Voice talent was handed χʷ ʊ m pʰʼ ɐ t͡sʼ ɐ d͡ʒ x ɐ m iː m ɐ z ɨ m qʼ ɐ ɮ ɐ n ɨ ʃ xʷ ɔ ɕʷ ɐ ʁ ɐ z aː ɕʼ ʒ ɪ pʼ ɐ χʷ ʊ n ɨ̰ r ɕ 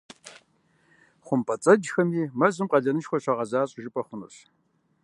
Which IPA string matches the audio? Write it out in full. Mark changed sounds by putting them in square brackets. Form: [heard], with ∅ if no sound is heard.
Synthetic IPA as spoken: χʷ ʊ m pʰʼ ɐ t͡sʼ ɐ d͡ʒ x ɐ m iː m ɐ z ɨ m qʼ ɐ ɮ ɐ n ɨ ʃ xʷ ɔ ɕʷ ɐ ʁ ɐ z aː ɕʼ ʒ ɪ pʼ ɐ χʷ ʊ n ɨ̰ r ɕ